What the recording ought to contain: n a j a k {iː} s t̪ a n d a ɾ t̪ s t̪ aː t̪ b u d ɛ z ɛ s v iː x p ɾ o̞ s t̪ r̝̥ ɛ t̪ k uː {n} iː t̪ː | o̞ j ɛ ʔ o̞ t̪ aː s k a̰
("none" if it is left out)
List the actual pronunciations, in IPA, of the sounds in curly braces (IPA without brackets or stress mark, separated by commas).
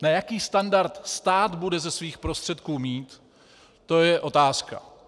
iː, m